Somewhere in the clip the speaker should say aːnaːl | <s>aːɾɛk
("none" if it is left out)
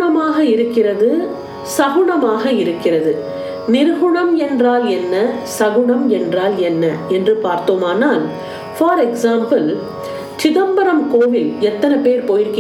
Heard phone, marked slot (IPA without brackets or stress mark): f